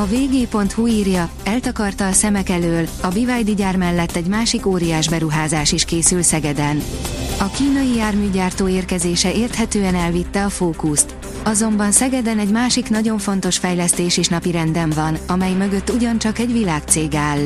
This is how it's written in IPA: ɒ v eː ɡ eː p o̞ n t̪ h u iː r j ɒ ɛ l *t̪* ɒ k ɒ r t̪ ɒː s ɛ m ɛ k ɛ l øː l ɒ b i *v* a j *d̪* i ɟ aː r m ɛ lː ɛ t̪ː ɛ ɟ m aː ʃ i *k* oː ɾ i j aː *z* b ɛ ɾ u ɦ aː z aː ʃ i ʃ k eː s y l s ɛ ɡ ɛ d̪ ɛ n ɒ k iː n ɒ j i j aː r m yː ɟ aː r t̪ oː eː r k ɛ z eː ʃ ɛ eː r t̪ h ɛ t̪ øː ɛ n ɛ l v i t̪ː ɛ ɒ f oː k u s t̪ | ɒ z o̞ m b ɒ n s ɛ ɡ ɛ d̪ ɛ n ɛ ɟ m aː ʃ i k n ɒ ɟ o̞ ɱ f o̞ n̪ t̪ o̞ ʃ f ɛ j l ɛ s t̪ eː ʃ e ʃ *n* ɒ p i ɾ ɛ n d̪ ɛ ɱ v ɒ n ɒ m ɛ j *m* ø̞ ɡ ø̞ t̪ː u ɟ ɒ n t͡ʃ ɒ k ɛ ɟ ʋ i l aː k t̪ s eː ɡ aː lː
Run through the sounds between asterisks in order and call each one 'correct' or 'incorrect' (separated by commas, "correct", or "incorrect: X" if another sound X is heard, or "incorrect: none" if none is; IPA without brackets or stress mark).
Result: correct, correct, correct, correct, incorrect: ʒ, correct, correct